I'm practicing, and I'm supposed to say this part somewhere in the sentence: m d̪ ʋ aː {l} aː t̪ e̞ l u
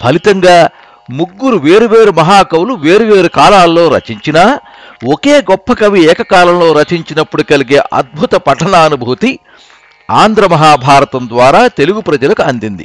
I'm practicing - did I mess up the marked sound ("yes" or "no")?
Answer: yes